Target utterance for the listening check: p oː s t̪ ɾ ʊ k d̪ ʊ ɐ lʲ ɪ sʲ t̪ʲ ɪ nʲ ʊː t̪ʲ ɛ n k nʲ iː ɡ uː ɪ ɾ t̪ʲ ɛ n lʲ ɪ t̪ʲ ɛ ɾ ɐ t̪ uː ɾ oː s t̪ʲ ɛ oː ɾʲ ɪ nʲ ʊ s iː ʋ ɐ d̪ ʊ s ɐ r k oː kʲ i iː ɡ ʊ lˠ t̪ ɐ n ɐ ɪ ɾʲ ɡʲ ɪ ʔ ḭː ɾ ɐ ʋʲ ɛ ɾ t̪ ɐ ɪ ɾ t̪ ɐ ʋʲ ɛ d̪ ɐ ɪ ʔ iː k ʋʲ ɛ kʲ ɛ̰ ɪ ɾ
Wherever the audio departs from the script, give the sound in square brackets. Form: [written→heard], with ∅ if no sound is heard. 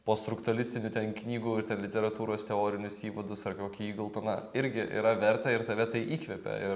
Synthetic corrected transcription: p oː s t̪ ɾ ʊ k [d̪→t̪] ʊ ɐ lʲ ɪ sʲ t̪ʲ ɪ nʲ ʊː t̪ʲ ɛ n k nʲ iː ɡ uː ɪ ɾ t̪ʲ ɛ n lʲ ɪ t̪ʲ ɛ ɾ ɐ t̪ uː ɾ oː s t̪ʲ ɛ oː ɾʲ ɪ nʲ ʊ s iː ʋ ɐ d̪ ʊ s ɐ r k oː kʲ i iː ɡ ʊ lˠ t̪ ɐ n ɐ ɪ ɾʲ ɡʲ ɪ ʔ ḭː ɾ ɐ ʋʲ ɛ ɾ t̪ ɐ ɪ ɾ t̪ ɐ ʋʲ ɛ [d̪→t̪] ɐ ɪ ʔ iː k ʋʲ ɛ [kʲ→pʲ] ɛ̰ ɪ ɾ

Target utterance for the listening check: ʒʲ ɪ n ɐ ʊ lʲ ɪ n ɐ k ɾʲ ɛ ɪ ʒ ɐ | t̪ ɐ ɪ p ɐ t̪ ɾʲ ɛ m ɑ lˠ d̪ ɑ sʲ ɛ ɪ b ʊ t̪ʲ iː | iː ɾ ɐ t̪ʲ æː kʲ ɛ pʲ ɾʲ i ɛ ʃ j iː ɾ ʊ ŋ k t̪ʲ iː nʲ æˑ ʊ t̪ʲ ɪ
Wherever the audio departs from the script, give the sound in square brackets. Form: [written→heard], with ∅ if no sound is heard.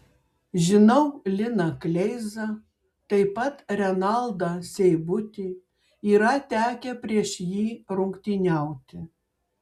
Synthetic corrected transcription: ʒʲ ɪ n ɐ ʊ lʲ ɪ n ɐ k [ɾʲ→lʲ] ɛ ɪ [ʒ→z] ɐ | t̪ ɐ ɪ p ɐ t̪ ɾʲ ɛ [m→n] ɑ lˠ d̪ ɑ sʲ ɛ ɪ b ʊ t̪ʲ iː | iː ɾ ɐ t̪ʲ æː kʲ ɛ pʲ ɾʲ i ɛ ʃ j iː ɾ ʊ ŋ k t̪ʲ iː nʲ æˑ ʊ t̪ʲ ɪ

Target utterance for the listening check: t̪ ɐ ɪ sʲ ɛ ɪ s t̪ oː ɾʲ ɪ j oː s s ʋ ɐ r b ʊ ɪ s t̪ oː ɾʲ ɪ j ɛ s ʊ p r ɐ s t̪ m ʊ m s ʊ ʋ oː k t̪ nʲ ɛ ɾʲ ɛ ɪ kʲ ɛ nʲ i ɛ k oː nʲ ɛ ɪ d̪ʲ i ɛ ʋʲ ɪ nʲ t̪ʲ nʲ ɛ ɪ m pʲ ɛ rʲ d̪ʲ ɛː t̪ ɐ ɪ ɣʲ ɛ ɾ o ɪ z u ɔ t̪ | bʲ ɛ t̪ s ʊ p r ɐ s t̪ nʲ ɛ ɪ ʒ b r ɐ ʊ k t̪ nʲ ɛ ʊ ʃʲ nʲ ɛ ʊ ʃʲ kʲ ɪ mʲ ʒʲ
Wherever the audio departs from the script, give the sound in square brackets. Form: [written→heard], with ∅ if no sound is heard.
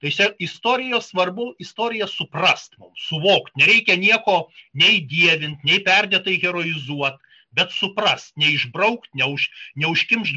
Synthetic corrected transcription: t̪ ɐ ɪ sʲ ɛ ɪ s t̪ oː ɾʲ ɪ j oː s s ʋ ɐ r b ʊ ɪ s t̪ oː ɾʲ ɪ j ɛ s ʊ p r ɐ s t̪ m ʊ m s ʊ ʋ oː k t̪ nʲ ɛ ɾʲ ɛ ɪ kʲ ɛ nʲ i ɛ k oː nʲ ɛ ɪ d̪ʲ i ɛ ʋʲ ɪ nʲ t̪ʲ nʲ ɛ ɪ [m→∅] pʲ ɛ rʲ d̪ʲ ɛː t̪ ɐ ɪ ɣʲ ɛ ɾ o ɪ z u ɔ t̪ | bʲ ɛ t̪ s ʊ p r ɐ s t̪ nʲ ɛ ɪ ʒ b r ɐ ʊ k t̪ nʲ ɛ ʊ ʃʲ nʲ ɛ ʊ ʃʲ kʲ ɪ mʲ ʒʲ

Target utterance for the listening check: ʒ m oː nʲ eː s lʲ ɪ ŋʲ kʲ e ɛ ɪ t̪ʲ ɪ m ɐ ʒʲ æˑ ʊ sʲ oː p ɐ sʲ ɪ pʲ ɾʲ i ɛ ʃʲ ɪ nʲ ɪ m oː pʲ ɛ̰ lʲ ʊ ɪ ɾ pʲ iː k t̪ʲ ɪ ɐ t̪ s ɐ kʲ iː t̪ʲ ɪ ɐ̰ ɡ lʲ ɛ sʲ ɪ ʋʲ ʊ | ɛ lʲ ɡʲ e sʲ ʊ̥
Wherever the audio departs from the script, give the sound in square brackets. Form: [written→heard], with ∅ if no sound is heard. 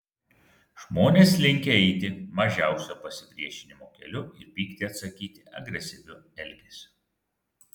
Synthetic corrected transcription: ʒ m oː nʲ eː s lʲ ɪ ŋʲ kʲ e ɛ ɪ t̪ʲ ɪ m ɐ ʒʲ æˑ ʊ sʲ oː p ɐ sʲ ɪ pʲ ɾʲ i ɛ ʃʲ ɪ nʲ ɪ m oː [pʲ→kʲ] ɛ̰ lʲ ʊ ɪ ɾ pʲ iː k t̪ʲ ɪ ɐ t̪ s ɐ kʲ iː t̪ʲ ɪ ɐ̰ ɡ [lʲ→ɾʲ] ɛ sʲ ɪ ʋʲ ʊ | ɛ lʲ ɡʲ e sʲ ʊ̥

